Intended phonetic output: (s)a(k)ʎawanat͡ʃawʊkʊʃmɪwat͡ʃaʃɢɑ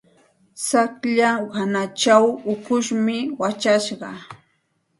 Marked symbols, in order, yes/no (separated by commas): yes, yes